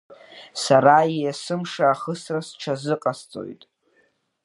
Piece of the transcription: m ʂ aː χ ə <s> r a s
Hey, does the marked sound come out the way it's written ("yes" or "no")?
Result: yes